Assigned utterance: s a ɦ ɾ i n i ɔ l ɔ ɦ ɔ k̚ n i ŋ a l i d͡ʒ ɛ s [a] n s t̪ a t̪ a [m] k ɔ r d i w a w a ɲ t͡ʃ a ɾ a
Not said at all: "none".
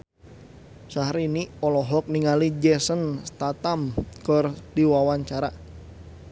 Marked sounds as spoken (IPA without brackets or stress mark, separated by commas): ə, m